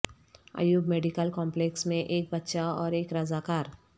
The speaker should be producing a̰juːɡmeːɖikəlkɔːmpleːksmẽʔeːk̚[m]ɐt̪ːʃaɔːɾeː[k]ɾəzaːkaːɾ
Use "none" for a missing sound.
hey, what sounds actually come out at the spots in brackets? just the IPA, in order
b, k

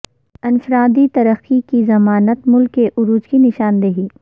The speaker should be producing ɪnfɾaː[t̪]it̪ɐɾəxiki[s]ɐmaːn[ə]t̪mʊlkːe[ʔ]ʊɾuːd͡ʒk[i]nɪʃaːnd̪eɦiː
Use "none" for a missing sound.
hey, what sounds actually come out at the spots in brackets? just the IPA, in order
d̪, z, ə, ʔ, i

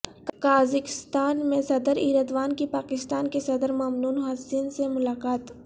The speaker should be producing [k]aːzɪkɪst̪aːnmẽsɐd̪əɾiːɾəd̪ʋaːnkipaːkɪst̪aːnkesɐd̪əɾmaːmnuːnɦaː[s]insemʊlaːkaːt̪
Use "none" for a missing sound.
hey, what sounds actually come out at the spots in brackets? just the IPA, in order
k, s

